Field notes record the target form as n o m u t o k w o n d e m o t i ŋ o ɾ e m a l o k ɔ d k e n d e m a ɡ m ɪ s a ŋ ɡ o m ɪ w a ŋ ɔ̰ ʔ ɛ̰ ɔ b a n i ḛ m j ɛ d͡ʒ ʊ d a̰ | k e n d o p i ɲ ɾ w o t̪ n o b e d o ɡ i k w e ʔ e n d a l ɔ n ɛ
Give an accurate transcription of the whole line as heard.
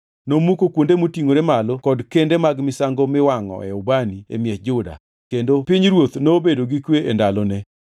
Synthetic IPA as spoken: n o m u k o k w o n d e m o t i ŋ o ɾ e m a l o k ɔ d k e n d e m a ɡ m ɪ s a ŋ ɡ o m ɪ w a ŋ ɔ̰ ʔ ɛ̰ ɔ b a n i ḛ m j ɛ d͡ʒ ʊ d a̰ | k e n d o p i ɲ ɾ w o t̪ n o b e d o ɡ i k w e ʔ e n d a l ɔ n ɛ

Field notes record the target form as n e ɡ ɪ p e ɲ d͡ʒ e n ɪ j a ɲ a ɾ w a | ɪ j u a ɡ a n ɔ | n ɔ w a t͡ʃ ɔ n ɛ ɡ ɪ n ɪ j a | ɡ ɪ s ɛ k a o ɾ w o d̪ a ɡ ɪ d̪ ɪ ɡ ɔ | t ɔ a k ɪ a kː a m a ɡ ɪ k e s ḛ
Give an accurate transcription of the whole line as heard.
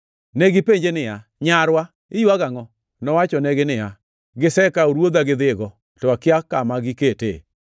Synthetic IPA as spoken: n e ɡ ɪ p e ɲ d͡ʒ e n ɪ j a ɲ a ɾ w a | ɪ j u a ɡ a ŋ ɔ | n ɔ w a t͡ʃ ɔ n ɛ ɡ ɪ n ɪ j a | ɡ ɪ s ɛ k a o ɾ w o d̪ a ɡ ɪ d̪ ɪ ɡ ɔ | t ɔ a k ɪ a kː a m a ɡ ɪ k e t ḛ

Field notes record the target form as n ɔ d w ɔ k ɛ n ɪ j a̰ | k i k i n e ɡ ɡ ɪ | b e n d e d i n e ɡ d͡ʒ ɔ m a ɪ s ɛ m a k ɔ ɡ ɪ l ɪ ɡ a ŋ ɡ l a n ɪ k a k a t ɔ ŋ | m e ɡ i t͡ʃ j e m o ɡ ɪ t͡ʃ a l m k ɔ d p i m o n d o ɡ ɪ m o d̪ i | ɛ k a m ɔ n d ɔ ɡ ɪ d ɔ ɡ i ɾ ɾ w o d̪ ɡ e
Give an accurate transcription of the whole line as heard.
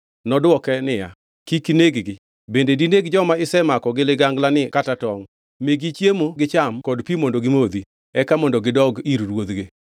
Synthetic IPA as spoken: n ɔ d w ɔ k ɛ n ɪ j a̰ | k i k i n e ɡ ɡ ɪ | b e n d e d i n e ɡ d͡ʒ ɔ m a ɪ s ɛ m a k ɔ ɡ ɪ l ɪ ɡ a ŋ ɡ l a n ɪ k a t a t ɔ ŋ | m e ɡ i t͡ʃ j e m o ɡ ɪ t͡ʃ a m k ɔ d p i m o n d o ɡ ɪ m o d̪ i | ɛ k a m ɔ n d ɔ ɡ ɪ d ɔ ɡ i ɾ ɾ w o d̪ ɡ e

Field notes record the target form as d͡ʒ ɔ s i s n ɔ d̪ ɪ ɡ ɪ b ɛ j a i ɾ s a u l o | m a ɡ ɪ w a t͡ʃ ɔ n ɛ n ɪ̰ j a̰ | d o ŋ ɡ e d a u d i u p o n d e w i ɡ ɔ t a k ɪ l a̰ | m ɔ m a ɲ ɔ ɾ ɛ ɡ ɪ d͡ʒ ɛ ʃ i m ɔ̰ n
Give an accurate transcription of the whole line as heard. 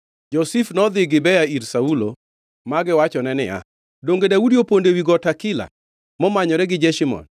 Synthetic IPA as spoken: d͡ʒ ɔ s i f n ɔ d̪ ɪ ɡ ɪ b ɛ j a i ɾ s a u l o | m a ɡ ɪ w a t͡ʃ ɔ n ɛ n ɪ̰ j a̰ | d o ŋ ɡ e d a u d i o p o n d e w i ɡ ɔ t a k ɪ l a̰ | m ɔ m a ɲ ɔ ɾ ɛ ɡ ɪ d͡ʒ ɛ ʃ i m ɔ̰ n

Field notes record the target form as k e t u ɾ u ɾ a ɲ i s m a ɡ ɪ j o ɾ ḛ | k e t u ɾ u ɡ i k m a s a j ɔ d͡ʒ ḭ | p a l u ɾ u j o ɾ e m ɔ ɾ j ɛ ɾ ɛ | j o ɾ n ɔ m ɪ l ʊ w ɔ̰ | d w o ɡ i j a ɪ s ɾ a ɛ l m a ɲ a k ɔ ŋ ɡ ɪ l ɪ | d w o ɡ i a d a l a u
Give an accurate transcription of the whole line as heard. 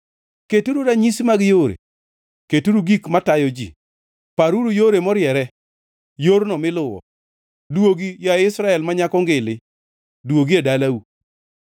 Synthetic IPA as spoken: k e t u ɾ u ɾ a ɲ i s m a ɡ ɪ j o ɾ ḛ | k e t u ɾ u ɡ i k m a t a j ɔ d͡ʒ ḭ | p a ɾ u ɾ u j o ɾ e m ɔ ɾ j ɛ ɾ ɛ | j o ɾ n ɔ m ɪ l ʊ w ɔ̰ | d w o ɡ i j a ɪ s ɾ a ɛ l m a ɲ a k ɔ ŋ ɡ ɪ l ɪ | d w o ɡ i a d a l a u

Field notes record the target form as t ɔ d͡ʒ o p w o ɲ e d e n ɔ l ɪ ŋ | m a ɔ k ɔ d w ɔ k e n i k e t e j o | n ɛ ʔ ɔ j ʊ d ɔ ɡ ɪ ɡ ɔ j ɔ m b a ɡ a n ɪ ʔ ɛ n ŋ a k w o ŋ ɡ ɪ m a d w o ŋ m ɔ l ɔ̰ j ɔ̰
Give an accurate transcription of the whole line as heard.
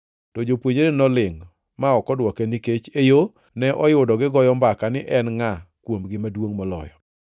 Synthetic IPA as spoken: t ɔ d͡ʒ o p w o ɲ e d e n ɔ l ɪ ŋ | m a ɔ k ɔ d w ɔ k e n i k e t͡ʃ e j o | n ɛ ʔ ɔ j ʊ d ɔ ɡ ɪ ɡ ɔ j ɔ m b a k a n ɪ ʔ ɛ n ŋ a k w o m ɡ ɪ m a d w o ŋ m ɔ l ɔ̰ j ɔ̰

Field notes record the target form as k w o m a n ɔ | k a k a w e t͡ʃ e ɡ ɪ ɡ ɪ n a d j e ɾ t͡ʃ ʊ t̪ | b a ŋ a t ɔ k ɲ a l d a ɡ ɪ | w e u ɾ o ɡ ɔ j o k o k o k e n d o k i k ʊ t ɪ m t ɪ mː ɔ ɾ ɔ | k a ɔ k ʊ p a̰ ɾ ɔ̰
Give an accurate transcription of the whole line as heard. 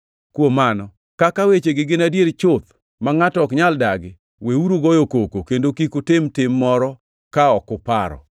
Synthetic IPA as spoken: k w o m a n ɔ | k a k a w e t͡ʃ e ɡ ɪ ɡ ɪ n a d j e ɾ t͡ʃ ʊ t̪ | m a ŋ a t ɔ k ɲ a l d a ɡ ɪ | w e u ɾ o ɡ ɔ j o k o k o k e n d o k i k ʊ t ɪ m t ɪ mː ɔ ɾ ɔ | k a ɔ k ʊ p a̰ ɾ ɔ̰

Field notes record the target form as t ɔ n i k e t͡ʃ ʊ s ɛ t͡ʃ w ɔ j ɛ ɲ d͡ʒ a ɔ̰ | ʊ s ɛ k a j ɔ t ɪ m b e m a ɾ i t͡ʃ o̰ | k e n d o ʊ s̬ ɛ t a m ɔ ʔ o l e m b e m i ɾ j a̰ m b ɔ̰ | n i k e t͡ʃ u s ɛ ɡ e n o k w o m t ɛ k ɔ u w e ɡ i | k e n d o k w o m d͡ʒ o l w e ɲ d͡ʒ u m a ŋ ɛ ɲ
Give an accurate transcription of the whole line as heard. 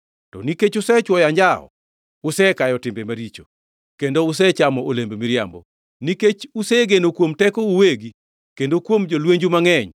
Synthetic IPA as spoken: t ɔ n i k e t͡ʃ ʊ s ɛ t͡ʃ w ɔ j a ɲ d͡ʒ a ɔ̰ | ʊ s ɛ k a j ɔ t ɪ m b e m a ɾ i t͡ʃ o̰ | k e n d o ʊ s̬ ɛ t͡ʃ a m ɔ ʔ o l e m b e m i ɾ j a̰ m b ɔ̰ | n i k e t͡ʃ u s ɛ ɡ e n o k w o m t ɛ k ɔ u w e ɡ i | k e n d o k w o m d͡ʒ o l w e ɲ d͡ʒ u m a ŋ ɛ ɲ

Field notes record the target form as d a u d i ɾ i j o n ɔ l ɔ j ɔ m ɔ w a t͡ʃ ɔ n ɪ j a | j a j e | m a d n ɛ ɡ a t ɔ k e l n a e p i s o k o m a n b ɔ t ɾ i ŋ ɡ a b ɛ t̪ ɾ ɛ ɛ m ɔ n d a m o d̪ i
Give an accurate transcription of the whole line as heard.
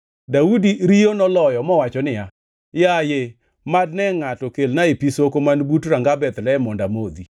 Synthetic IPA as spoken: d a u d i ɾ i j o n ɔ l ɔ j ɔ m ɔ w a t͡ʃ ɔ n ɪ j a | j a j e | m a d n ɛ ŋ a t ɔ k e l n a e p i s o k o m a n b u t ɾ a ŋ ɡ a b ɛ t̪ l ɛ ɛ m ɔ n d a m o d̪ i

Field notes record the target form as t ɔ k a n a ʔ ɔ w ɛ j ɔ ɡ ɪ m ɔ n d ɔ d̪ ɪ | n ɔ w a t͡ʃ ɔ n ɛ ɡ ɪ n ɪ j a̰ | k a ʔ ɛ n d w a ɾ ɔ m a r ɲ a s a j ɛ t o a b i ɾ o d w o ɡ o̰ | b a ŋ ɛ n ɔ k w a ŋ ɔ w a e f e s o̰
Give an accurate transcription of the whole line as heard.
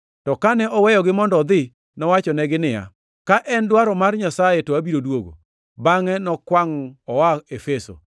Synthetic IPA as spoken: t ɔ k a n ɛ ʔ ɔ w ɛ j ɔ ɡ ɪ m ɔ n d ɔ d̪ ɪ | n ɔ w a t͡ʃ ɔ n ɛ ɡ ɪ n ɪ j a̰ | k a ʔ ɛ n d w a ɾ ɔ m a r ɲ a s a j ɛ t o a b i ɾ o d w o ɡ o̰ | b a ŋ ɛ n ɔ k w a ŋ ɔ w a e f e s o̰

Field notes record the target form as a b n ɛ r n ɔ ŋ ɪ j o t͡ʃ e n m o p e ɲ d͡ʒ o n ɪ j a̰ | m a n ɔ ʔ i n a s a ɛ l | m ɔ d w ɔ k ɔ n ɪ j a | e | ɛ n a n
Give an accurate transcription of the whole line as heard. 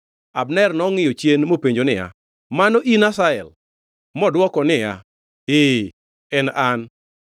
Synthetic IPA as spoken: a b n ɛ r n ɔ ŋ ɪ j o t͡ʃ e n m o p e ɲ d͡ʒ o n ɪ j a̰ | m a n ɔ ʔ i n a s a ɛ l | m ɔ d w ɔ k ɔ n ɪ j a | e | ɛ n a n

